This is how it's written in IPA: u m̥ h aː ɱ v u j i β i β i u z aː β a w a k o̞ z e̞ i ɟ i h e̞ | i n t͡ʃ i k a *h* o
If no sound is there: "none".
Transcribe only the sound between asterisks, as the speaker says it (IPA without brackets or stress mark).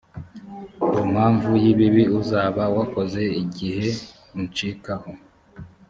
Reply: h